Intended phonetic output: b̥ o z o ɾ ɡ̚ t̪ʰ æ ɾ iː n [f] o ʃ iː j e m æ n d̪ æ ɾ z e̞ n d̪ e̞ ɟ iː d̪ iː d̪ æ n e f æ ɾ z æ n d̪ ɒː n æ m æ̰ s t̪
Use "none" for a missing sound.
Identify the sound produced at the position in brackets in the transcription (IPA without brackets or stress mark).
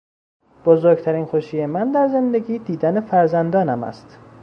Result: x